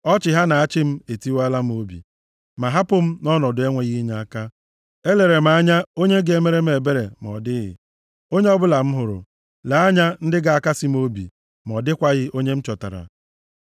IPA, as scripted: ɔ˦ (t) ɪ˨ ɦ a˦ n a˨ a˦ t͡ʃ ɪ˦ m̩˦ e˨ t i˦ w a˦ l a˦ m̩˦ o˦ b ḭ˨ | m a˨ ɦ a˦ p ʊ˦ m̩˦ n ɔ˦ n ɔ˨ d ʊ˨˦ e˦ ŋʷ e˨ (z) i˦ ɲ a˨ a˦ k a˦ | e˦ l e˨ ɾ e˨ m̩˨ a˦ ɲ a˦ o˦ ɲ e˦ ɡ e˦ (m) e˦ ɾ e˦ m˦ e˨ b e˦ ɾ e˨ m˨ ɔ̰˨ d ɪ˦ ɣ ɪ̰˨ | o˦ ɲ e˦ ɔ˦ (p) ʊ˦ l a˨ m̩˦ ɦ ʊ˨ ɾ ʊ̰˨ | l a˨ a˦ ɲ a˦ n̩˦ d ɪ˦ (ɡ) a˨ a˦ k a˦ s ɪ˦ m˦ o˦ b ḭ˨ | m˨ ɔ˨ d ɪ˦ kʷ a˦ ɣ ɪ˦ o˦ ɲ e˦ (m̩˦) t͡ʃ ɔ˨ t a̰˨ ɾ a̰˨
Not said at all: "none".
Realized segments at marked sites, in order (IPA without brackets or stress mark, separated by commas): t͡ʃ, ɣ, m, b, ɡ, m̩˦